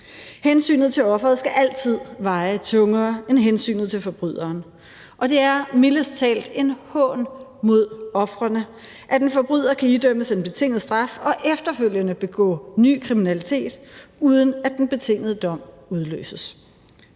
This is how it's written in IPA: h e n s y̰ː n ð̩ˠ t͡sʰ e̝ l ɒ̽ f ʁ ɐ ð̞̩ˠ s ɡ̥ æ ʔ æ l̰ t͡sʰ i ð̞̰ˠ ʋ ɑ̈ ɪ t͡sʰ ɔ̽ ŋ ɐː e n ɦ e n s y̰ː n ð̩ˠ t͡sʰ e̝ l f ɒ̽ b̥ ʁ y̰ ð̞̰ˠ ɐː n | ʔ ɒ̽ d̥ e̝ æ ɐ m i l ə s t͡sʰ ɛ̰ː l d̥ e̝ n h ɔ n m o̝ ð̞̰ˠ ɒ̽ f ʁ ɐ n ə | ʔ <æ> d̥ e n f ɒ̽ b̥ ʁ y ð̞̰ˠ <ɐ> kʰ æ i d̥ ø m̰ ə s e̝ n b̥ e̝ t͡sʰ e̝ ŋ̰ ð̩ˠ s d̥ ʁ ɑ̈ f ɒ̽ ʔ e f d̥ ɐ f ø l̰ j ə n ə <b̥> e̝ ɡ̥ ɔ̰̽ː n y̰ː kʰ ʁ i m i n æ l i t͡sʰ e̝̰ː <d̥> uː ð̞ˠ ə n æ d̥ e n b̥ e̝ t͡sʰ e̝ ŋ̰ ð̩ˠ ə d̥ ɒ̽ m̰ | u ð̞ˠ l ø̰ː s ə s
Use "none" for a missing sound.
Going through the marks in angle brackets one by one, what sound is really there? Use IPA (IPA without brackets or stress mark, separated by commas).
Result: æ, ɐ, b̥, d̥